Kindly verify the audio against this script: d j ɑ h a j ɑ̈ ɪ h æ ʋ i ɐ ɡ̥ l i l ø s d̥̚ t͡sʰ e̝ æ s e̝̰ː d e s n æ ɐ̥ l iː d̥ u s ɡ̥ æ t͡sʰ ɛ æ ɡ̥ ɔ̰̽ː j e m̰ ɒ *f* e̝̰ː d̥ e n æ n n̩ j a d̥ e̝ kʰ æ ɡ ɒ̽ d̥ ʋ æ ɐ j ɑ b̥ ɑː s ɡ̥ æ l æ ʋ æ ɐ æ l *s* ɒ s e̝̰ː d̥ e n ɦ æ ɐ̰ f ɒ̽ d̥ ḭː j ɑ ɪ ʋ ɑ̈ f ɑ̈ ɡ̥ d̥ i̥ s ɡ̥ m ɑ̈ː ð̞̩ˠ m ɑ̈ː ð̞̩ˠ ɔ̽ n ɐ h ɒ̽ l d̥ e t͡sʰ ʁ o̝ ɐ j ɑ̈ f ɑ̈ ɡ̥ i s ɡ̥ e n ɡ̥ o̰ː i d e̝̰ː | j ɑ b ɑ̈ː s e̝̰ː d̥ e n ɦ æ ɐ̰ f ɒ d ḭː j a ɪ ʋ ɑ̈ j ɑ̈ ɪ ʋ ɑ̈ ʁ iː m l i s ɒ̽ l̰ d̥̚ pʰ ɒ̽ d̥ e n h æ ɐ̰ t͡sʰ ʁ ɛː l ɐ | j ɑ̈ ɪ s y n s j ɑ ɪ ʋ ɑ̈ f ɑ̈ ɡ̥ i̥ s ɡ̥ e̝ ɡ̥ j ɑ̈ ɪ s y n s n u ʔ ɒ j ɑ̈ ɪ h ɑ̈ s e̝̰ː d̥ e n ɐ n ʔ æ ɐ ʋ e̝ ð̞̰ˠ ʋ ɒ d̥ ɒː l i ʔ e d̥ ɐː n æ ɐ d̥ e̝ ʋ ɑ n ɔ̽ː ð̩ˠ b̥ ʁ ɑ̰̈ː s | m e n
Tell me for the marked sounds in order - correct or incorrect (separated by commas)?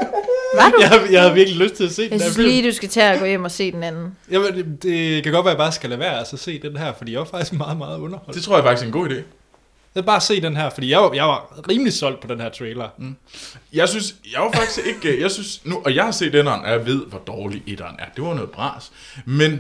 incorrect, correct